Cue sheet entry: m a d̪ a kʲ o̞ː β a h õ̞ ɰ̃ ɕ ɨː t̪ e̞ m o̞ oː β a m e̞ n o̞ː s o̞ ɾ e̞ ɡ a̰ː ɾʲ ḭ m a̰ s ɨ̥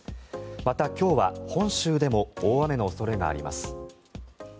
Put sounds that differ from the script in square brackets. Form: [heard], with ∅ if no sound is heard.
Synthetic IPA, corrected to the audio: m a [t̪] a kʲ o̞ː β a h õ̞ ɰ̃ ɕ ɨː [d̪] e̞ m o̞ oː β a m e̞ n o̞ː s o̞ ɾ e̞ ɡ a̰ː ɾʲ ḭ m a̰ s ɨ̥